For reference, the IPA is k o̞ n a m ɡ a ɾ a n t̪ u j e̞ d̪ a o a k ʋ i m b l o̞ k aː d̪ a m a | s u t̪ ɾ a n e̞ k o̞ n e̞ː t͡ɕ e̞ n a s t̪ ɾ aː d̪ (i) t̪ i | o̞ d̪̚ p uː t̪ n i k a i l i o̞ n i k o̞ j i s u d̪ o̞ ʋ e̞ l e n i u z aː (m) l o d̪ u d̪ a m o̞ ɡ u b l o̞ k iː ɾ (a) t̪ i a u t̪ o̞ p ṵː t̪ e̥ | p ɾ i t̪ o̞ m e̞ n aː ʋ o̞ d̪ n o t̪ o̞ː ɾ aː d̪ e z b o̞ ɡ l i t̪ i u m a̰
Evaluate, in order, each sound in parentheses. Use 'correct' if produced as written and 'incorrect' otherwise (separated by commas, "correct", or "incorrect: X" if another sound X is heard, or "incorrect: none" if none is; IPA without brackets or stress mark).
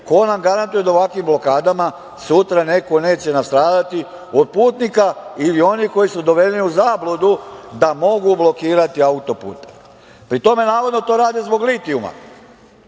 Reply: incorrect: a, incorrect: b, correct